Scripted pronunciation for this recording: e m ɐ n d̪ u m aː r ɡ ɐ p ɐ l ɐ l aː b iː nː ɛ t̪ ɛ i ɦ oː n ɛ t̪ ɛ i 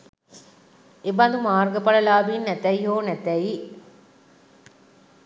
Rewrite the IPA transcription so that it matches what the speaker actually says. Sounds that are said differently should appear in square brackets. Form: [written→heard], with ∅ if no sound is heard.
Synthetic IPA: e [m→b] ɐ n d̪ u m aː r ɡ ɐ p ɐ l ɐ l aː b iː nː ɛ t̪ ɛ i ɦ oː n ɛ t̪ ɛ i